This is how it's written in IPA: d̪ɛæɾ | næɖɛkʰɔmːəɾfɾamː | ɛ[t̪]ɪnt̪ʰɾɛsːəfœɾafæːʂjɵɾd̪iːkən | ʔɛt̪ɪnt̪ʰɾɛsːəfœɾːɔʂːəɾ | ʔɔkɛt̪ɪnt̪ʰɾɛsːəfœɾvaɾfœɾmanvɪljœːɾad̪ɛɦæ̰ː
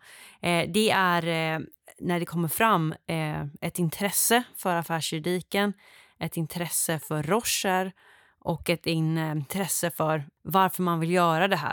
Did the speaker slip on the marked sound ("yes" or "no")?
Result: no